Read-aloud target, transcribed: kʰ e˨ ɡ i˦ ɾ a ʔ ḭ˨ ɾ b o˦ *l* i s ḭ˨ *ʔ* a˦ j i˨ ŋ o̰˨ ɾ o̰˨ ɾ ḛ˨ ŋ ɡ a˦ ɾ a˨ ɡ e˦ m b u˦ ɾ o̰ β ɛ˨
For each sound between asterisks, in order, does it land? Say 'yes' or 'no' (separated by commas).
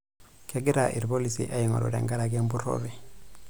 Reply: yes, yes